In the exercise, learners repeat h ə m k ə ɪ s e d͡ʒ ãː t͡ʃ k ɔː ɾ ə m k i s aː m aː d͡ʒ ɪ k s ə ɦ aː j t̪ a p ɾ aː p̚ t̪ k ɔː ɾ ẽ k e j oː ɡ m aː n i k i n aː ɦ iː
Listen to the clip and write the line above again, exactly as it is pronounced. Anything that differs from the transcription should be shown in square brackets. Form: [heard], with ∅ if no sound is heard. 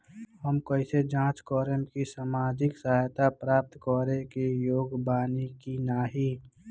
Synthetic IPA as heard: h ə m k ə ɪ s e d͡ʒ ãː t͡ʃ k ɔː ɾ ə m k i s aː m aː d͡ʒ ɪ k s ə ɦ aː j t̪ a p ɾ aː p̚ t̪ k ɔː ɾ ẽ k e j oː ɡ [b] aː n i k i n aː ɦ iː

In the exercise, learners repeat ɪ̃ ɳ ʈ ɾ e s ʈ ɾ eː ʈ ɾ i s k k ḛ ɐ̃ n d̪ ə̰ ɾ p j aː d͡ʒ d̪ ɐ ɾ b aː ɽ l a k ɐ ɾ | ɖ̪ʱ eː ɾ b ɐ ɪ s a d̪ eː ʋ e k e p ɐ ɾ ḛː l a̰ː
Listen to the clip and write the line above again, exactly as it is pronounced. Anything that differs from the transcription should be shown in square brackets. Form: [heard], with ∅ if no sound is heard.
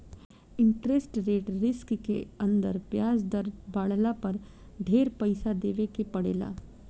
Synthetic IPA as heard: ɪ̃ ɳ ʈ ɾ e s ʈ ɾ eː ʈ ɾ [ɪ] s k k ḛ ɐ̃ n d̪ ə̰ ɾ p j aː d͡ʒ d̪ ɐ ɾ b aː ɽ l a [p] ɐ ɾ | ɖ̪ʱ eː ɾ [p] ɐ ɪ s a d̪ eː ʋ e k e p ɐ [ɽ] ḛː l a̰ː

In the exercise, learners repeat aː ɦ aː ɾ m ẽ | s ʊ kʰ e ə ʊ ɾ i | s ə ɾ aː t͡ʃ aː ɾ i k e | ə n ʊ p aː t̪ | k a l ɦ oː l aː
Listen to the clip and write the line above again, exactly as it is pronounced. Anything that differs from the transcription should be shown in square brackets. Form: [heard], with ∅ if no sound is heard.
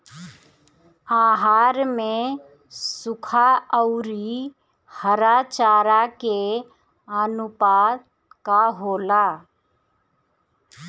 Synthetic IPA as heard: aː ɦ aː ɾ m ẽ | s ʊ kʰ [a] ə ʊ ɾ i | [h] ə ɾ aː t͡ʃ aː ɾ [a] k e | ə n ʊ p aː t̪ | k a [∅] ɦ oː l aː

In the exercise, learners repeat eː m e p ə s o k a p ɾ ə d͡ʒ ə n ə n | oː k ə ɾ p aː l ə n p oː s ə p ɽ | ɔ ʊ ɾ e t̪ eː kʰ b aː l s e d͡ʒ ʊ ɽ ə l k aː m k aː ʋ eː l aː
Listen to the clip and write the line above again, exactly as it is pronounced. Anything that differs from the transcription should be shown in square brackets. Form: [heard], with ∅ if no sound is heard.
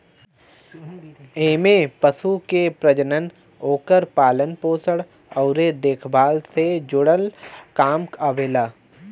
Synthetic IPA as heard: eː m e p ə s [u] k [e] p ɾ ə d͡ʒ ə n ə n | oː k ə ɾ p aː l ə n p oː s ə [∅] ɽ | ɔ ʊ ɾ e [d̪] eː kʰ b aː l s e d͡ʒ ʊ ɽ ə l k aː m k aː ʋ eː l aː

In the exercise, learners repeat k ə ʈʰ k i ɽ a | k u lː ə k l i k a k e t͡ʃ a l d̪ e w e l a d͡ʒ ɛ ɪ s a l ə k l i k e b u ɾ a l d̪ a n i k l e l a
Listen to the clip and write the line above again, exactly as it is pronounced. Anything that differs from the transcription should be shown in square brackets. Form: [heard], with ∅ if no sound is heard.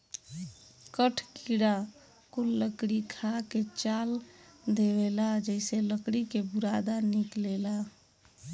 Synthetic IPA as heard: k ə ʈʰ k i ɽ a | k u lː ə k [ɽ] i [kʰ] a k e t͡ʃ a l d̪ e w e l a d͡ʒ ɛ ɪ s [e] l ə k [ɽ] i k e b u ɾ a [∅] d̪ a n i k l e l a

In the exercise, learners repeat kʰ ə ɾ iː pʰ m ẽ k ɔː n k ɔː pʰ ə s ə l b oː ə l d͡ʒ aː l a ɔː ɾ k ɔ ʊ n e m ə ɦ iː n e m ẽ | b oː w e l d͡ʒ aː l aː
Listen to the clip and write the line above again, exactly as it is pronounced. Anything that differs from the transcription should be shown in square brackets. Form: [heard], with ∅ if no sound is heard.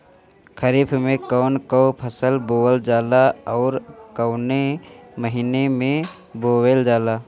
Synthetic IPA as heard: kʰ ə ɾ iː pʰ m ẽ k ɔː n k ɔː pʰ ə s ə l b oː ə l d͡ʒ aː l a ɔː ɾ k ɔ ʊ n e m ə ɦ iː n e m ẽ | b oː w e l d͡ʒ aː l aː

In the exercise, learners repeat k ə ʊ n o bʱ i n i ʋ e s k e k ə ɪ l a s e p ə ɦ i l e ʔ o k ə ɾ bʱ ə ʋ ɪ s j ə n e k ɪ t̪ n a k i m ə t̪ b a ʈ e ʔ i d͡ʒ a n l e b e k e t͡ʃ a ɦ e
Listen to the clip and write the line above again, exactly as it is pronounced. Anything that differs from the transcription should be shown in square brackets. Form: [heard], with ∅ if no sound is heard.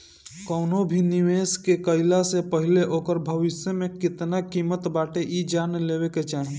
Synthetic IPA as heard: k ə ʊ n o bʱ i n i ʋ e s k e k ə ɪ l a s e p ə ɦ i l e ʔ o k ə ɾ bʱ ə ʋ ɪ s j ə [m] e k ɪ t̪ n a k i m ə t̪ b a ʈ e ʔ i d͡ʒ a n l e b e k e t͡ʃ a ɦ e

